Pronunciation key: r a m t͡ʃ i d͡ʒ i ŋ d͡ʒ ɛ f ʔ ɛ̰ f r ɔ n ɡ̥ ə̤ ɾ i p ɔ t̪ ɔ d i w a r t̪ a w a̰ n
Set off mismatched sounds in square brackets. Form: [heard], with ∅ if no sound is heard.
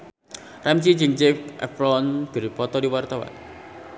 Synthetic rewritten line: r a m t͡ʃ i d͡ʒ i ŋ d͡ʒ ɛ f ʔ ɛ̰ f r ɔ n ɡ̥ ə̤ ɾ i p ɔ t̪ ɔ d i w a r t̪ a w a̰ n